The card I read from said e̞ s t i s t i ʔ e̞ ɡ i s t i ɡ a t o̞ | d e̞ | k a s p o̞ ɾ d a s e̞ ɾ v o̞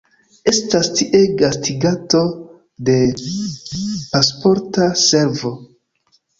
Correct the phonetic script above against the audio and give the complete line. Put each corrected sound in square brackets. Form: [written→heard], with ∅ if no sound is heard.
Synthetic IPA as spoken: e̞ s t [i→a] s t i ʔ e̞ ɡ [i→a] s t i ɡ a t o̞ | d e̞ | [k→p] a s p o̞ ɾ [d→t] a s e̞ ɾ v o̞